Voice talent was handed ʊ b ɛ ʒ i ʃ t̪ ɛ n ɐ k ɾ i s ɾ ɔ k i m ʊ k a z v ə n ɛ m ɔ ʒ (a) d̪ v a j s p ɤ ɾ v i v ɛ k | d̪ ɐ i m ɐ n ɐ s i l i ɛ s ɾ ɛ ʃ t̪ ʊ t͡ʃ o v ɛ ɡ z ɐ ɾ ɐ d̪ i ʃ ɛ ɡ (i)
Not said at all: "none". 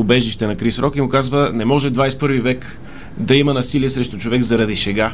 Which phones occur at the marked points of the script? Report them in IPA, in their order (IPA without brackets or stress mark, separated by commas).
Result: ɛ, a